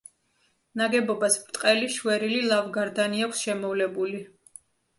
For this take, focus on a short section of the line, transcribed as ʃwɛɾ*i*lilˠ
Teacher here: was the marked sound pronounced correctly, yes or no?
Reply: yes